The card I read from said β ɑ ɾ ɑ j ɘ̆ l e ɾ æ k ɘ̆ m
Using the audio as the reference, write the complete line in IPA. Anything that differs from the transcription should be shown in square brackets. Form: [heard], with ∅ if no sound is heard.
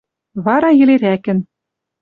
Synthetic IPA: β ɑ ɾ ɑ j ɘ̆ l e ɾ æ k ɘ̆ [n]